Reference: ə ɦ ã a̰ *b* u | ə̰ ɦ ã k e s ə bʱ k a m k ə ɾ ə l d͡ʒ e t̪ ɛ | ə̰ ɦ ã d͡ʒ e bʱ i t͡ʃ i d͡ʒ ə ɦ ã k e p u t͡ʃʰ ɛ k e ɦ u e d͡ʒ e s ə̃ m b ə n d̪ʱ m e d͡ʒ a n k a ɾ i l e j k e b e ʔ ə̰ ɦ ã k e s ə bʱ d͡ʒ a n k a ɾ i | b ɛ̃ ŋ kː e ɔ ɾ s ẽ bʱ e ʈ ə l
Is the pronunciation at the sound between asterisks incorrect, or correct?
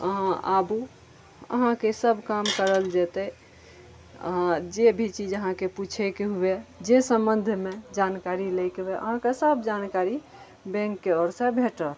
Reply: correct